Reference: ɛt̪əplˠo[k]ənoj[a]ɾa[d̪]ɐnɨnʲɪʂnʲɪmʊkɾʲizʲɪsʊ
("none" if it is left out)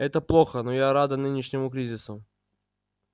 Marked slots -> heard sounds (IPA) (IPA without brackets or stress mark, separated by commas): x, a, d̪